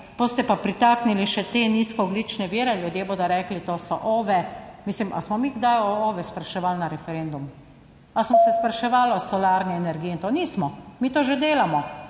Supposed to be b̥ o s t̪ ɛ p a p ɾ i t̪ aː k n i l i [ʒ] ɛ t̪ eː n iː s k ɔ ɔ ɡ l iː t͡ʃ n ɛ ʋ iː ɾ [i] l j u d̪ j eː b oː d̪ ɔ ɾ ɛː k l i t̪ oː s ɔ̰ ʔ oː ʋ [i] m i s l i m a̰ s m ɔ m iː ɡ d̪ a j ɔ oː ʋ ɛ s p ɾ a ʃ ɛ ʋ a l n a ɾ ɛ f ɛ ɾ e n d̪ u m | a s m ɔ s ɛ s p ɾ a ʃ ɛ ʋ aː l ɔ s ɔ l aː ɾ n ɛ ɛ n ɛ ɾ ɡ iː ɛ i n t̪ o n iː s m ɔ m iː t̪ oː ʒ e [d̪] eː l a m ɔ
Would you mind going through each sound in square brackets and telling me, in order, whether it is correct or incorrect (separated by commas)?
incorrect, incorrect, incorrect, correct